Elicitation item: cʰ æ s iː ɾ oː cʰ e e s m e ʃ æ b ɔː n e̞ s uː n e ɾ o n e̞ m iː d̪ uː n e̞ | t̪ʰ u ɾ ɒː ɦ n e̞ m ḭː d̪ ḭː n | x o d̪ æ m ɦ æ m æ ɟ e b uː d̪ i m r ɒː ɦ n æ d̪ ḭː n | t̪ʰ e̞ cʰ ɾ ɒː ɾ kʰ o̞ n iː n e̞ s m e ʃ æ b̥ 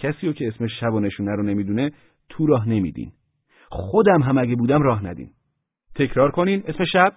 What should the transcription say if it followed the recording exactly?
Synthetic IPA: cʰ æ s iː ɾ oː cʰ e e s m e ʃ æ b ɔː n e̞ ʃ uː n æ ɾ o n e̞ m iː d̪ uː n e̞ | t̪ʰ u ɾ ɒː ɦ n e̞ m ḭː d̪ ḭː n | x o d̪ æ m ɦ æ m æ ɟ e b uː d̪ æ m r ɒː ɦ n æ d̪ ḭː n | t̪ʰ e̞ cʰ ɾ ɒː ɾ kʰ o̞ n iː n e̞ s m e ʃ æ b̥